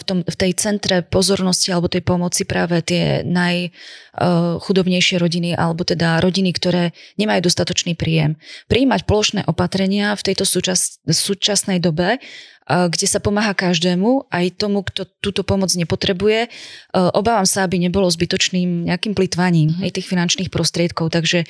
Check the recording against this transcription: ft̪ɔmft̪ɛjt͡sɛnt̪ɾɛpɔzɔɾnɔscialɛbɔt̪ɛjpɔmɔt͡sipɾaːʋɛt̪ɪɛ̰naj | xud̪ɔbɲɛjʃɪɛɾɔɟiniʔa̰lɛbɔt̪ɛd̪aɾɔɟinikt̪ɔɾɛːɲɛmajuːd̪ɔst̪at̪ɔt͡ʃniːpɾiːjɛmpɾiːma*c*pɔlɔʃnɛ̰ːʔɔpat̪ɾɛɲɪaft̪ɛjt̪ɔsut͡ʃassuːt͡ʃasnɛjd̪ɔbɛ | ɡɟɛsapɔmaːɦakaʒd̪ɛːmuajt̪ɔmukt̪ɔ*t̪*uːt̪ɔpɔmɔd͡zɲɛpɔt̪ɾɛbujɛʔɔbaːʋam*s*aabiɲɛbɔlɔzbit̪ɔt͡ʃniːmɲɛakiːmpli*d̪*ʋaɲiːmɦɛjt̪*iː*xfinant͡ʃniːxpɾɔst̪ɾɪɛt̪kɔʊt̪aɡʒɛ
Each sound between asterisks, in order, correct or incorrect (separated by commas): correct, correct, correct, incorrect, correct